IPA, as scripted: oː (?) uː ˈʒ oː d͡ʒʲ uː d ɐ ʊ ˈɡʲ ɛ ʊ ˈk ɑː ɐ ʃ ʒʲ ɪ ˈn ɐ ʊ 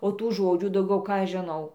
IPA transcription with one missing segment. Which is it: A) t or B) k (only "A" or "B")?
A